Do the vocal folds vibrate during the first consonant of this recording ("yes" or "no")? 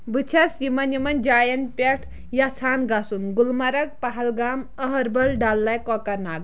yes